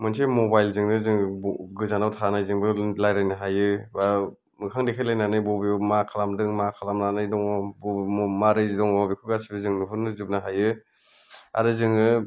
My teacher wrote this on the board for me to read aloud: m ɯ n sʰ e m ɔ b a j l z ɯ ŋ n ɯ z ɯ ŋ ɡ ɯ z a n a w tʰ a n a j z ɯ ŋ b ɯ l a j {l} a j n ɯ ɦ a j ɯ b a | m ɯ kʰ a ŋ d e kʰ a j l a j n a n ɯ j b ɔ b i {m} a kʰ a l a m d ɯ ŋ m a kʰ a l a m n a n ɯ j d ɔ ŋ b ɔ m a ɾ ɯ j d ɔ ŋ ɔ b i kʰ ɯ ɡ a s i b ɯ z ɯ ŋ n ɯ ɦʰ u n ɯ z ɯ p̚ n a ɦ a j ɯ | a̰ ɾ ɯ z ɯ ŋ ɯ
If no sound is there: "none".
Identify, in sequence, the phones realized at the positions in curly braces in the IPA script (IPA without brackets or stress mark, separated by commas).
ɾ, m